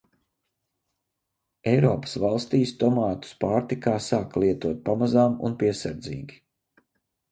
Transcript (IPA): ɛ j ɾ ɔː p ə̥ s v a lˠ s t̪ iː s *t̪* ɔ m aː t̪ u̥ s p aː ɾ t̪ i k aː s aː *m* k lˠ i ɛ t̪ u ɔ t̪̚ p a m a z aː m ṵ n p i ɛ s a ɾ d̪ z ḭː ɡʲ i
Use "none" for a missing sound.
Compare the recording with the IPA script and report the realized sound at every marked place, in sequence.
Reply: t̪, none

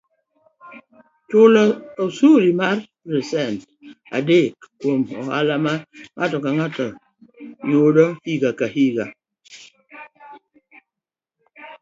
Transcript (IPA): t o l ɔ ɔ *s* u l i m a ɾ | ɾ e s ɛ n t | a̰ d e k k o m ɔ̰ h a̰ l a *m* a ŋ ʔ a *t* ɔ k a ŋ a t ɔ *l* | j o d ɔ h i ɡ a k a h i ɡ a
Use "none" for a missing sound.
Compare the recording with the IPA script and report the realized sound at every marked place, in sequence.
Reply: s, m, t, none

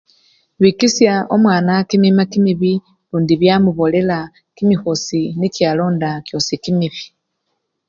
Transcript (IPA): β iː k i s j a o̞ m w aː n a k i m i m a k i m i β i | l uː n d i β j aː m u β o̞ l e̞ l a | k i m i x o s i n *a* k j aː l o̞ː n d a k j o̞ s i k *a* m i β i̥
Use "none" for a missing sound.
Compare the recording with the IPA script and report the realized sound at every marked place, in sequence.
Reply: i, i

